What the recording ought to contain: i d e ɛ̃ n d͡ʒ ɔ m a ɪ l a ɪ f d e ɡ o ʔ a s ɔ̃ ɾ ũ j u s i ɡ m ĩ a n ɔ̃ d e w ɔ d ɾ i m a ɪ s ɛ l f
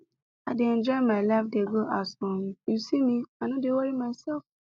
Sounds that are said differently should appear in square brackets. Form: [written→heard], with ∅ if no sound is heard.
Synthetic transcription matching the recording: [i→a] d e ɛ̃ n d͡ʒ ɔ m a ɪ l a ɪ f d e ɡ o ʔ a s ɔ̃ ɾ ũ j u s i [ɡ→∅] m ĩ a n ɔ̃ d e w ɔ [d→∅] ɾ i m a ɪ s ɛ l f